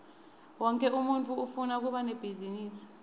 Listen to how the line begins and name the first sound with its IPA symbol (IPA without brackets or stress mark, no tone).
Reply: w